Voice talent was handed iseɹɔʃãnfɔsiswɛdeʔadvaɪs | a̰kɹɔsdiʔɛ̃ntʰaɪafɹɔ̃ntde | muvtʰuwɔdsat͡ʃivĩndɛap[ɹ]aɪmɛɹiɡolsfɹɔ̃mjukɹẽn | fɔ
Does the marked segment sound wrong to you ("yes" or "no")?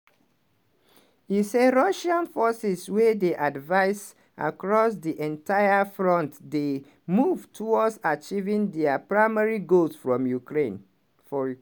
no